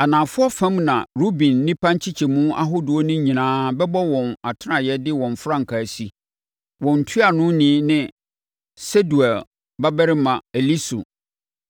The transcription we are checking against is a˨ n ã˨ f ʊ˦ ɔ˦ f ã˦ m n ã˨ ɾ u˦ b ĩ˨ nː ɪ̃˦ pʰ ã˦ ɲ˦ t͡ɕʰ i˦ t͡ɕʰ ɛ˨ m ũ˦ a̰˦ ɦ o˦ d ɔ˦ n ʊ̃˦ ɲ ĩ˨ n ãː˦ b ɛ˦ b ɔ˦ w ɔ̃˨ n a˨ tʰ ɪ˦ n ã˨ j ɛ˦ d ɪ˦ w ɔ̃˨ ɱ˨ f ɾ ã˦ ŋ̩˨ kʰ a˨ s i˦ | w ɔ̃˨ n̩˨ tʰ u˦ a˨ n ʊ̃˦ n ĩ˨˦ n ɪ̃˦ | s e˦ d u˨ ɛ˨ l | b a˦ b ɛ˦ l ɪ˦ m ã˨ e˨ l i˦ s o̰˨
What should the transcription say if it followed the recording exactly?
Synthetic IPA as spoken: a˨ n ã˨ f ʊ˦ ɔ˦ f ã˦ m n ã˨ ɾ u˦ b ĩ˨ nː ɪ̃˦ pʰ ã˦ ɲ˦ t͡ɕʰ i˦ t͡ɕʰ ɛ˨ m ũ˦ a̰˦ ɦ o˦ d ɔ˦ n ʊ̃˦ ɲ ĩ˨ n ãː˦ b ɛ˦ b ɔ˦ w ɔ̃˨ n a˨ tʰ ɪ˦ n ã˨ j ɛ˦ d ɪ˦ w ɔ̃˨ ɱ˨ f ɾ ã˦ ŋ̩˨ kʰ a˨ s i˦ | w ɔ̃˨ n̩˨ tʰ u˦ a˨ n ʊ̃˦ n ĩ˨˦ n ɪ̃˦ | s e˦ d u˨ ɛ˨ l | b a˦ b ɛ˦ ɾ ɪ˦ m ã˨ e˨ l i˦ s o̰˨